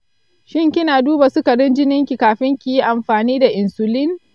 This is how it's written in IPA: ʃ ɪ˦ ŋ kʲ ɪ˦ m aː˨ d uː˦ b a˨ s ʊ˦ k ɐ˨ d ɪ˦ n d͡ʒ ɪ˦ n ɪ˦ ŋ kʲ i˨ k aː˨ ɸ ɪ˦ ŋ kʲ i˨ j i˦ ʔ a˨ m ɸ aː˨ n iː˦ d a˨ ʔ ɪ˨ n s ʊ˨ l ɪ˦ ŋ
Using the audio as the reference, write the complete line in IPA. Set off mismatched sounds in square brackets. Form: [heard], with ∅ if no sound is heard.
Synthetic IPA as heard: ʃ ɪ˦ ŋ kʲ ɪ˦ [n] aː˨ d uː˦ b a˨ s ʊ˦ k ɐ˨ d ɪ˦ n d͡ʒ ɪ˦ n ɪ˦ ŋ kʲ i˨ k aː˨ ɸ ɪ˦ ŋ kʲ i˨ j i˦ ʔ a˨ m ɸ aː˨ n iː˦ d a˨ ʔ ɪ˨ n s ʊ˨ l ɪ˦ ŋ